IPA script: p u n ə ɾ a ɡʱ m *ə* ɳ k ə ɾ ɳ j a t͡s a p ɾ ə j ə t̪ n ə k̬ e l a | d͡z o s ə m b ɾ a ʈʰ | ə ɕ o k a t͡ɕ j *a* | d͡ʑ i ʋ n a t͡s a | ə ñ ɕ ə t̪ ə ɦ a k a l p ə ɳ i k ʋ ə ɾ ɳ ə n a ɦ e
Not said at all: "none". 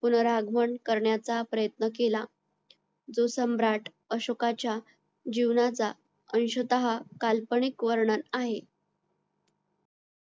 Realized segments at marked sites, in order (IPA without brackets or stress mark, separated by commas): ə, a